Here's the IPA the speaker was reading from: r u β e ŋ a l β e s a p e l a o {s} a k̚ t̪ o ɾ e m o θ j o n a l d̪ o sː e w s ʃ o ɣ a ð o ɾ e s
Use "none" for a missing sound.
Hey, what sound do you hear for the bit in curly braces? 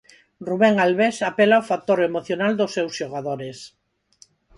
f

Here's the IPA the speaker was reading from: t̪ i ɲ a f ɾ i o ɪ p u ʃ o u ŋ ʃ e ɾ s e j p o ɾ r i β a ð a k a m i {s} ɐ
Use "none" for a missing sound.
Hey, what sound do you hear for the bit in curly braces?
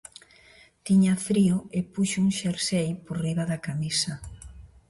s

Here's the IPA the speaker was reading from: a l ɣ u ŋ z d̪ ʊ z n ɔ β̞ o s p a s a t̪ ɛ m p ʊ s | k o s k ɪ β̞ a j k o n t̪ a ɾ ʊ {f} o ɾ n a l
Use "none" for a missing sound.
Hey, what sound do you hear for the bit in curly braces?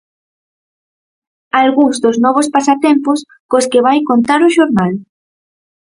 ʃ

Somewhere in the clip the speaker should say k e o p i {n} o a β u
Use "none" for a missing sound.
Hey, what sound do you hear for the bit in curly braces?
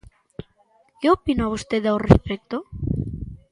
n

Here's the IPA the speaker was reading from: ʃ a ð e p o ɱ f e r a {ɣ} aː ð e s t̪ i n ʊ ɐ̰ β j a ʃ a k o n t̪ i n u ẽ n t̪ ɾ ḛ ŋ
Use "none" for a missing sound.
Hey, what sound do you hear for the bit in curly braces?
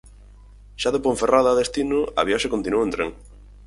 ð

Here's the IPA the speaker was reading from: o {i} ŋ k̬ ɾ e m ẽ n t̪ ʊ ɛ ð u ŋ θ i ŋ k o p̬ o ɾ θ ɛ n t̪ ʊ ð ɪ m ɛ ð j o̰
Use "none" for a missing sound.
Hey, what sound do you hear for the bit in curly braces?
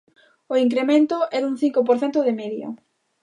i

